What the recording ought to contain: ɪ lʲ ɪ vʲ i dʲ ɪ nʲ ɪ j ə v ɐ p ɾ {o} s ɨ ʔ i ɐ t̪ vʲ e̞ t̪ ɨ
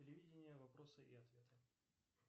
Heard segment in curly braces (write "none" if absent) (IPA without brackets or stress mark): o